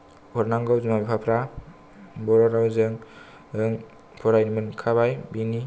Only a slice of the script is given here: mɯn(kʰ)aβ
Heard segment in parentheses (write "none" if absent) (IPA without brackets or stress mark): kʰ